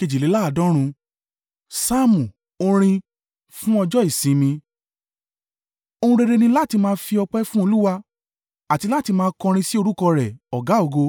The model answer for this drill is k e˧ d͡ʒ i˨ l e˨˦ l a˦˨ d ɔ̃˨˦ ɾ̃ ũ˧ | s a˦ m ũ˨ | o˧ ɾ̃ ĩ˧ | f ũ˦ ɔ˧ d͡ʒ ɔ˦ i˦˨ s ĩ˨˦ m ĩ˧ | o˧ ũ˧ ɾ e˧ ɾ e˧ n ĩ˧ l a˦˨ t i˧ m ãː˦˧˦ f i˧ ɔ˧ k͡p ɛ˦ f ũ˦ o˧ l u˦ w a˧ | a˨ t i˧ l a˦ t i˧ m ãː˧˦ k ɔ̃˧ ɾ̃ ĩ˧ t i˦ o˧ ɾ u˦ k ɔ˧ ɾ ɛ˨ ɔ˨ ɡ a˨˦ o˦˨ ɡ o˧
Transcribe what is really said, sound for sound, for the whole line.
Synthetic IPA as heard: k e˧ d͡ʒ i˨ l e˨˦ l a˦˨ d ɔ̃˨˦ ɾ̃ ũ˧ | s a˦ m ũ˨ | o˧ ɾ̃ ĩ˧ | f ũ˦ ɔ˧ d͡ʒ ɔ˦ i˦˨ s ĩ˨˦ m ĩ˧ | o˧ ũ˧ ɾ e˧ ɾ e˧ n ĩ˧ l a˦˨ t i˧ m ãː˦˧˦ f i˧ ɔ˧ k͡p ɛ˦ f ũ˦ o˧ l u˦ w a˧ | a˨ t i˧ l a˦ t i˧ m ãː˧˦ k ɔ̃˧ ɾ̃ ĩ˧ s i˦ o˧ ɾ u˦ k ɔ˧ ɾ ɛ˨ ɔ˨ ɡ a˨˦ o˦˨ ɡ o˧